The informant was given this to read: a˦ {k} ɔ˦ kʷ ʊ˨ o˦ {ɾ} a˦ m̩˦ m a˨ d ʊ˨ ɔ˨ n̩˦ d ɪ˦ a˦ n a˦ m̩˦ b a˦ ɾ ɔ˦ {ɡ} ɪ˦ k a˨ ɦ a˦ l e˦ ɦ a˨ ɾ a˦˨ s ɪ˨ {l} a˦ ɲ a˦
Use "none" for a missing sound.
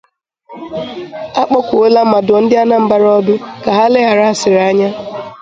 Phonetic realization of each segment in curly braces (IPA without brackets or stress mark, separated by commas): k͡p, l, b, ɾ